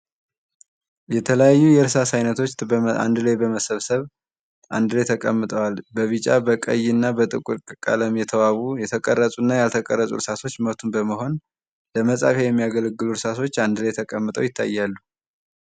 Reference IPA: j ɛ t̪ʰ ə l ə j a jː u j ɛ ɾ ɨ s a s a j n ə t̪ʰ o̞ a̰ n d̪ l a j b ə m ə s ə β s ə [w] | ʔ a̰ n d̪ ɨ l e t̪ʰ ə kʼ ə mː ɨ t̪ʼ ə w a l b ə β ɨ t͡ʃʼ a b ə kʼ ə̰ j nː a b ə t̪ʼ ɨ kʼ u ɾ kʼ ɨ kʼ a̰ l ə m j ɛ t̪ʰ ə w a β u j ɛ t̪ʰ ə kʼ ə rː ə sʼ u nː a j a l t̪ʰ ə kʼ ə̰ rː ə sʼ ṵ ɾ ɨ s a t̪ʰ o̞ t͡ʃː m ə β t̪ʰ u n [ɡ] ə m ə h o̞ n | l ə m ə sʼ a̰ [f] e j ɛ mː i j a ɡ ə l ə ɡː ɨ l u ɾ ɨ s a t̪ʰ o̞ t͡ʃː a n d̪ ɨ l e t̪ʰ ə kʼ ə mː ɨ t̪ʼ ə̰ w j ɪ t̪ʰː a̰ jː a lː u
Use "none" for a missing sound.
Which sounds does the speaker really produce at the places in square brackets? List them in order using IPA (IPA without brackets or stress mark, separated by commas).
β, b, f